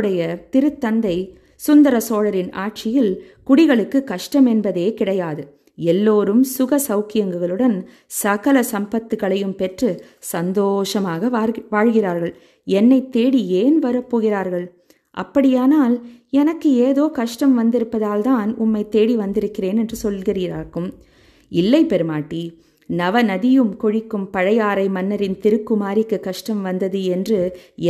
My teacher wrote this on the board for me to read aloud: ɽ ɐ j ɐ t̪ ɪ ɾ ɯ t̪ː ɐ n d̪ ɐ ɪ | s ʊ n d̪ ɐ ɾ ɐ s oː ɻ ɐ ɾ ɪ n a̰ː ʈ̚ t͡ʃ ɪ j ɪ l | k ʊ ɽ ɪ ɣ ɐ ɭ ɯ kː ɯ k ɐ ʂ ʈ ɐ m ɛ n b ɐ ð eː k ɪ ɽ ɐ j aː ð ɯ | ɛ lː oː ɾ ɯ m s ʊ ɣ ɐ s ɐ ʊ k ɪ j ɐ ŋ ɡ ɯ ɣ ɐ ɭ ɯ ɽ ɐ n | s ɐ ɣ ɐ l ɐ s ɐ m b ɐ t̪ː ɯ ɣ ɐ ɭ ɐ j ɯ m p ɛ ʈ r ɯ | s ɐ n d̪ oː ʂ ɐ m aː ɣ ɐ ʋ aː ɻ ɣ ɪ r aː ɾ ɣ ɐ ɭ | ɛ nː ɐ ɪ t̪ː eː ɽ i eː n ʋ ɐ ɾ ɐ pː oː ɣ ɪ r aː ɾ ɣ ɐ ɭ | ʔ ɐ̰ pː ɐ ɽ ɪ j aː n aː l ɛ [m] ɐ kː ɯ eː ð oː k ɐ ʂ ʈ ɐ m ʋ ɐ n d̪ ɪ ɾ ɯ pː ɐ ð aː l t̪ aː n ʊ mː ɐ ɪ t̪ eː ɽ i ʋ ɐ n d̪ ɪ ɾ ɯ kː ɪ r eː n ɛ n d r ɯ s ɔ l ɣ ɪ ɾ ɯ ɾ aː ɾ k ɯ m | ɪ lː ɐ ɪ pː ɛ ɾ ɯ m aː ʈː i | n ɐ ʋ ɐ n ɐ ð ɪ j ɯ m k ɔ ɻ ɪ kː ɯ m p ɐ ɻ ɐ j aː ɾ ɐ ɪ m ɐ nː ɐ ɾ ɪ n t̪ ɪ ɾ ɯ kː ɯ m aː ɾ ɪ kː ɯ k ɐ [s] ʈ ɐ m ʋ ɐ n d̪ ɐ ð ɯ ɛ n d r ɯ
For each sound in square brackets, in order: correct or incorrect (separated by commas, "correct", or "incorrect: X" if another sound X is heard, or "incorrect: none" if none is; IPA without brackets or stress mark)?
incorrect: n, incorrect: ʂ